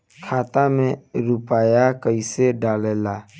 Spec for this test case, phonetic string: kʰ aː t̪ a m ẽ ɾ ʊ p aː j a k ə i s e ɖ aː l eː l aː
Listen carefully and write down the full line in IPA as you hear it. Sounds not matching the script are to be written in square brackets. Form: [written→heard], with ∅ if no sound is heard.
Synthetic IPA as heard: kʰ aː t̪ a m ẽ ɾ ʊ p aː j a k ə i s e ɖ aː l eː l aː